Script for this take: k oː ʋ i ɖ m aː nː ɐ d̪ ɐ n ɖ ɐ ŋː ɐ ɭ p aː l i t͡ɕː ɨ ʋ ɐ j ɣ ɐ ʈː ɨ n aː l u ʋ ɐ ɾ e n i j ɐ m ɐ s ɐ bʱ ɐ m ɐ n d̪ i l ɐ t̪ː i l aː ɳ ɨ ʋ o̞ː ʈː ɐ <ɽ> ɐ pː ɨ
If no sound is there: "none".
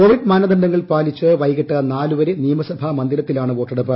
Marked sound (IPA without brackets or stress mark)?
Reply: ɽ